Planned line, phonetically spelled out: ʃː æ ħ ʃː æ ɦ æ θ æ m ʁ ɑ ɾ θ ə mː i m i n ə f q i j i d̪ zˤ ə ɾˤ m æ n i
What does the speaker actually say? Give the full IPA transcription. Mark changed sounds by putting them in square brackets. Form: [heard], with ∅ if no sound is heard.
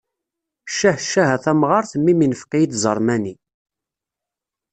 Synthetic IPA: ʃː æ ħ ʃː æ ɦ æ θ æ m ʁ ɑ ɾ θ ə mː i m i n ə f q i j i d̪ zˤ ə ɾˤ m æ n i